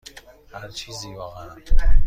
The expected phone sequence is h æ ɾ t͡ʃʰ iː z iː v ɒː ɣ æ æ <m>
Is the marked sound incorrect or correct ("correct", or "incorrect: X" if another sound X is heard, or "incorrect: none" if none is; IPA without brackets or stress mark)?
incorrect: n